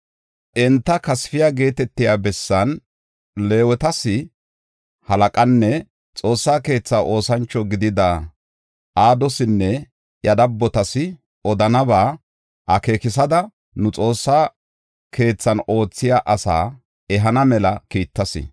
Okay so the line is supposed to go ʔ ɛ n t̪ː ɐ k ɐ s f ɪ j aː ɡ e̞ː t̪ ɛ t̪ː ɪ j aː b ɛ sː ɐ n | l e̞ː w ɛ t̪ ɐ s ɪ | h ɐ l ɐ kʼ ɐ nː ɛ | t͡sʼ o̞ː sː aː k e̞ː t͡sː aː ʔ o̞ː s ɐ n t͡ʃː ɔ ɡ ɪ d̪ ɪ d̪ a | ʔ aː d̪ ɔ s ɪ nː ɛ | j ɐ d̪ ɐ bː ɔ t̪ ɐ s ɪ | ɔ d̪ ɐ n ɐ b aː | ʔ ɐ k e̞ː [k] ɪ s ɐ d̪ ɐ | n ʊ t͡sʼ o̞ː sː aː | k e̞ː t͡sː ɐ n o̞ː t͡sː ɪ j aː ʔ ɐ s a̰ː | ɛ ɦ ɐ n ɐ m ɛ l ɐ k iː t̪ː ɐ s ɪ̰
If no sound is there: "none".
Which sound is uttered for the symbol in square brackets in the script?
k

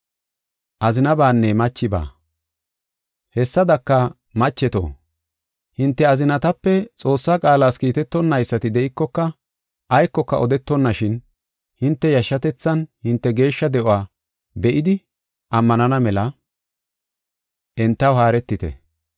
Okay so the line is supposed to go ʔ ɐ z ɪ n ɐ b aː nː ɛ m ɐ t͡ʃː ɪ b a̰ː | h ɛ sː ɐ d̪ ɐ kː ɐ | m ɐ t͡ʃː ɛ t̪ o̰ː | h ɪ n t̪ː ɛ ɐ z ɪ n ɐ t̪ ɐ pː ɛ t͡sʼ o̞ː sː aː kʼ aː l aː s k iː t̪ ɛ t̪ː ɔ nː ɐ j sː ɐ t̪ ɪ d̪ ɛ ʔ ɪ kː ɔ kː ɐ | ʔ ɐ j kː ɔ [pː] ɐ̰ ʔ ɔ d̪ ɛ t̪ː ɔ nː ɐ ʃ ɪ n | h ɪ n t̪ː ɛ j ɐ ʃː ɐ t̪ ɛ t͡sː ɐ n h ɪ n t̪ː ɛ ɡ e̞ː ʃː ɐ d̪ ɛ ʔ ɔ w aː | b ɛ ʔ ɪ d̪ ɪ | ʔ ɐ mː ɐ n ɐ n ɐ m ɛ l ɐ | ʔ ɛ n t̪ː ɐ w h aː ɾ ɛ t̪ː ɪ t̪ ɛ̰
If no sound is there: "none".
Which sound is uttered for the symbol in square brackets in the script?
kː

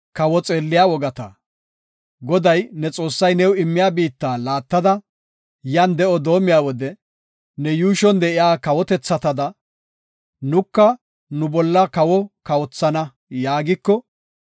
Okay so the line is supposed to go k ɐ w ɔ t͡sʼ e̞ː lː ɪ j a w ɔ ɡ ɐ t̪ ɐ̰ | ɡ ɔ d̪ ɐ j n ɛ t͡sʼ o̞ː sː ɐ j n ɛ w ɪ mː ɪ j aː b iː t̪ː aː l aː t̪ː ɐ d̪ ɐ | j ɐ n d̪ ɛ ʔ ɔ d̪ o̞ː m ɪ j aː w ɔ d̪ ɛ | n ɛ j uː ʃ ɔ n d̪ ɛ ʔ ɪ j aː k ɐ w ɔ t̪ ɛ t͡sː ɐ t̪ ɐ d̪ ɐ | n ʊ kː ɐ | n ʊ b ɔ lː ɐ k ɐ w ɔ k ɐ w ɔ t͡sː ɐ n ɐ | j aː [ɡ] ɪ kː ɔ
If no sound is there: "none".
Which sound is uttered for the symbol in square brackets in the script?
ɡ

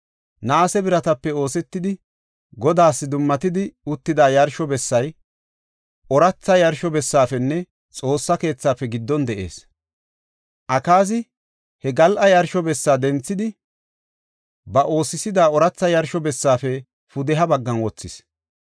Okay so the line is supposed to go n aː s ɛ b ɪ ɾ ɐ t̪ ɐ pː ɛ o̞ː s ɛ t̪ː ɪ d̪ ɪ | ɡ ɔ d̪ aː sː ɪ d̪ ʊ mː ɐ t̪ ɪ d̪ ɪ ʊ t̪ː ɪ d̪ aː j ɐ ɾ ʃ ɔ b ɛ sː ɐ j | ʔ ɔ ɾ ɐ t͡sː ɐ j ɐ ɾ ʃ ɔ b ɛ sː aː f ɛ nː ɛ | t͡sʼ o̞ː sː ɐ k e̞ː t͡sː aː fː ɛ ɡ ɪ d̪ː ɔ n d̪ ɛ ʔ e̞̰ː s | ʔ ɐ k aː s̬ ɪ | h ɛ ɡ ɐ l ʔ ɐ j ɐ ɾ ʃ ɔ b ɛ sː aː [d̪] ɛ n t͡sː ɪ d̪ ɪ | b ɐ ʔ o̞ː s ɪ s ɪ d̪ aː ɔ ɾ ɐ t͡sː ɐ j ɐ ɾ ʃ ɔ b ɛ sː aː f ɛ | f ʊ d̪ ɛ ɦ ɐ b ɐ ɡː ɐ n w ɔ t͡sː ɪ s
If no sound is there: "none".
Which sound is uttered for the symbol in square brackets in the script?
d̪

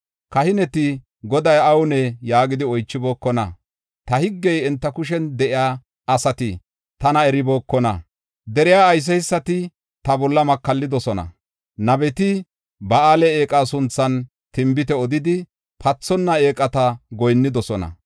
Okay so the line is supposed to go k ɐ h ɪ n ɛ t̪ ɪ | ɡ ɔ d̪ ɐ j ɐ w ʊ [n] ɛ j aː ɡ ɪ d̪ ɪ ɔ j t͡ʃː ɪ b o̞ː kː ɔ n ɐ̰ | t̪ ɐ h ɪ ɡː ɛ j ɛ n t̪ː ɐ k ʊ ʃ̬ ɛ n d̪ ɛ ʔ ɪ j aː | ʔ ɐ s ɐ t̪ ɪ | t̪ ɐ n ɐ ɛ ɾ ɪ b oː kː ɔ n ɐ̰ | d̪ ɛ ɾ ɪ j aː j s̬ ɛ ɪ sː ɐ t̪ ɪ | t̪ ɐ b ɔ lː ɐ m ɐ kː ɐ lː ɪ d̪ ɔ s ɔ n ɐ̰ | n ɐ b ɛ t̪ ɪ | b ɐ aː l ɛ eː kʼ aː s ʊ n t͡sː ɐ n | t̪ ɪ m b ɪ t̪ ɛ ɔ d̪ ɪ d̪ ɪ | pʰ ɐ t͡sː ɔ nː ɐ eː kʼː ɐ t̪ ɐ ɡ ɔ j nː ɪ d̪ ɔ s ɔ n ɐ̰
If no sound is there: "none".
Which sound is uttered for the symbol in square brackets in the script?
n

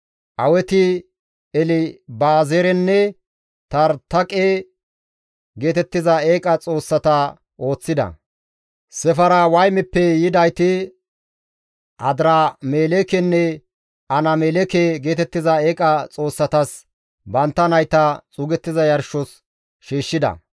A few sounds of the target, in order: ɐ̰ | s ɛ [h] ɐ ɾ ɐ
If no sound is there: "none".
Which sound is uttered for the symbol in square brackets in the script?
f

